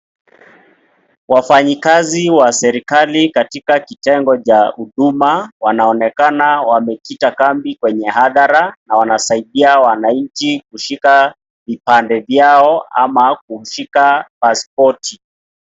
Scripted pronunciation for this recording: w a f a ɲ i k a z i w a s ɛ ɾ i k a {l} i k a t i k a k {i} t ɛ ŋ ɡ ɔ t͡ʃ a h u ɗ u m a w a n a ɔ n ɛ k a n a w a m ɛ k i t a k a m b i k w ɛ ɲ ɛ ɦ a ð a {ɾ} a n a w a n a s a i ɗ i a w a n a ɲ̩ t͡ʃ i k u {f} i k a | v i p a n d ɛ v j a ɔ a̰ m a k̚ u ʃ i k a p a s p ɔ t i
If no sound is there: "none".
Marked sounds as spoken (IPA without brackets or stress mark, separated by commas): l, i, ɾ, ʃ